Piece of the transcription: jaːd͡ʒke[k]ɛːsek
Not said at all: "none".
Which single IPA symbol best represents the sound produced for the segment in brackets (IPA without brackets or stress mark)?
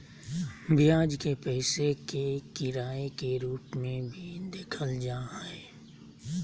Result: p